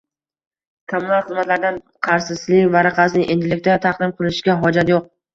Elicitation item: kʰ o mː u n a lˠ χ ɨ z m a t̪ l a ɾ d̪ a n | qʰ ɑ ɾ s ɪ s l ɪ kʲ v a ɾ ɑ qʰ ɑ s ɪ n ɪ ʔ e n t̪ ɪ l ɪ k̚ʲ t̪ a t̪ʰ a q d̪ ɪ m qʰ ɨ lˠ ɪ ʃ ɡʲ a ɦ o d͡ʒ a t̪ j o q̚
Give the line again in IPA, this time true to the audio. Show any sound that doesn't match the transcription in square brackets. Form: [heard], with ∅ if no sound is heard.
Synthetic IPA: kʰ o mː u n a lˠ χ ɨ z m a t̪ l a ɾ d̪ a n | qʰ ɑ ɾ s ɪ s l ɪ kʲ v a ɾ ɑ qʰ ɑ s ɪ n ɪ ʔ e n [d̪] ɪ l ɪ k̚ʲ t̪ a t̪ʰ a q d̪ ɪ m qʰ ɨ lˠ ɪ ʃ ɡʲ a ɦ [ɒ] d͡ʒ a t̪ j o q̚